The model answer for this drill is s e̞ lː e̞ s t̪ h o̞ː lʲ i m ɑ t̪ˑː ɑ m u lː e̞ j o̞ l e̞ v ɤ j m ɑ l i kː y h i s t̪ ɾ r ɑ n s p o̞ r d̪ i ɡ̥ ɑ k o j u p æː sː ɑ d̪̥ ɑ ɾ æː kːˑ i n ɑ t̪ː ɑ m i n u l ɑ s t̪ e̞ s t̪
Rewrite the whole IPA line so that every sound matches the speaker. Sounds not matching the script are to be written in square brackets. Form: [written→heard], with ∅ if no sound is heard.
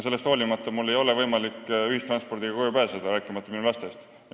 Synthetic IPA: s e̞ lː e̞ s t̪ h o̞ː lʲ i m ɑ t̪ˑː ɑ m u lː e̞ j o̞ l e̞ v ɤ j m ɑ l i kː y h i s t̪ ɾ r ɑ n s p o̞ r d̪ i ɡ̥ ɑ k o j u p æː [sː→s] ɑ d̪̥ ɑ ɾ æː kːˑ i [n→m] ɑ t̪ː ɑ m i n u l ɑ s t̪ e̞ s t̪